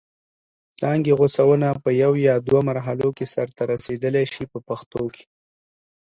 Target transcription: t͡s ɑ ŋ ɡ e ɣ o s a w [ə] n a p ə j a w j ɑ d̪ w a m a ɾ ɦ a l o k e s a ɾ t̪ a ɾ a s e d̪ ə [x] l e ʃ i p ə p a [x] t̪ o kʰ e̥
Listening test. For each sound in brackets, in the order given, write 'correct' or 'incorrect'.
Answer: correct, incorrect: none, correct

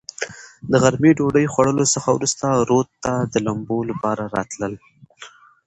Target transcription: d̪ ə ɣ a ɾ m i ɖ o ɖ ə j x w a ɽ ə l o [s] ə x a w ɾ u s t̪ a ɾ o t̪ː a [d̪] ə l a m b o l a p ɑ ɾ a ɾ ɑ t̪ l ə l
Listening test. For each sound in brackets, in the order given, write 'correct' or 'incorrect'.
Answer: correct, correct

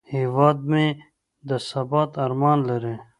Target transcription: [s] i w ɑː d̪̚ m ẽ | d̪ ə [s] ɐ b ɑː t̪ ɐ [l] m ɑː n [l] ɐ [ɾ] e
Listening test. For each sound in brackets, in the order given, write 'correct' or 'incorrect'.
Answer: incorrect: h, correct, incorrect: ɾ, correct, correct

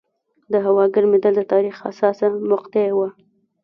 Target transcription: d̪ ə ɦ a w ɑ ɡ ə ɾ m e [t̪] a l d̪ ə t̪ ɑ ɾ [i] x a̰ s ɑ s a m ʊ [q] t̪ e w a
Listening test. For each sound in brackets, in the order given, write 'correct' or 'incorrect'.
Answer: incorrect: d̪, correct, correct

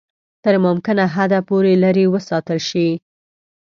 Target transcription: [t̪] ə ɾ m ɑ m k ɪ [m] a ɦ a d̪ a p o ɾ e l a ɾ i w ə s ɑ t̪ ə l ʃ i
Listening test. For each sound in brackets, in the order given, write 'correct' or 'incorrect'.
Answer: correct, incorrect: n

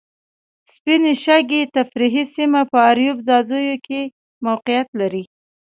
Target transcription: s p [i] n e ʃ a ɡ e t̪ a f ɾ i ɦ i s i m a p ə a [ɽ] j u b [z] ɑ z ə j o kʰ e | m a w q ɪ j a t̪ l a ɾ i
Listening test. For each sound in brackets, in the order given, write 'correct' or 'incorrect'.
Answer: correct, incorrect: ɾ, correct

